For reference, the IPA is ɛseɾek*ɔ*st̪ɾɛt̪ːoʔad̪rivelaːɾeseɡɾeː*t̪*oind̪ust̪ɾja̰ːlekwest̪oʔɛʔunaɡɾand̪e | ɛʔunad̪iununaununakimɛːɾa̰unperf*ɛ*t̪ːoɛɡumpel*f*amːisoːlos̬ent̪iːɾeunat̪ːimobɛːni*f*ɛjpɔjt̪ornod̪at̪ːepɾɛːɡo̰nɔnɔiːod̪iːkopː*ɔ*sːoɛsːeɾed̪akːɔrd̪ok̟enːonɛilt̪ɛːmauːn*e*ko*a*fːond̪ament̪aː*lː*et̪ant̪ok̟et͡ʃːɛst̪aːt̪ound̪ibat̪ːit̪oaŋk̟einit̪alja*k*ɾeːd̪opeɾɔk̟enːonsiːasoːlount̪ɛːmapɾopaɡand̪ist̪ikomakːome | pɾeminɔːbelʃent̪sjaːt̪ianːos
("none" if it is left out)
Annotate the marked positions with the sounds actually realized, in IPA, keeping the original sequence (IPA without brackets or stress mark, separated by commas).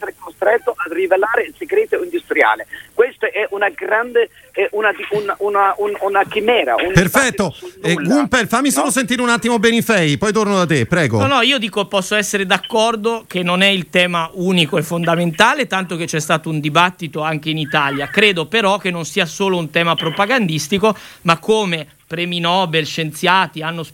o, t̪, ɛ, f, f, ɔ, i, ɛ, l, k